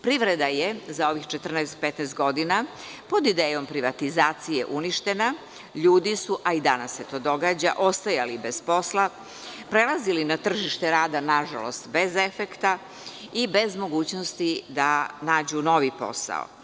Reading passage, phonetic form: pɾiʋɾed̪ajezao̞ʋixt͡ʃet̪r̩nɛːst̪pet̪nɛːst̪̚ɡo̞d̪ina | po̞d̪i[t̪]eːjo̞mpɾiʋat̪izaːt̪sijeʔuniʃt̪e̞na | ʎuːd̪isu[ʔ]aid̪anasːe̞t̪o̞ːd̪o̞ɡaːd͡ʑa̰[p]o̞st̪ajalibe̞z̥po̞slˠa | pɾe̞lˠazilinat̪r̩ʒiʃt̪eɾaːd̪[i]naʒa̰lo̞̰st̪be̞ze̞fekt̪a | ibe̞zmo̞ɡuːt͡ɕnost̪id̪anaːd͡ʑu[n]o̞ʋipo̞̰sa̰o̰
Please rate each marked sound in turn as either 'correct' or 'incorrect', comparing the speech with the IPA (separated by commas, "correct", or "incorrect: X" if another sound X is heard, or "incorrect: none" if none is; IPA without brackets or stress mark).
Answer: incorrect: d̪, correct, incorrect: ʔ, incorrect: a, correct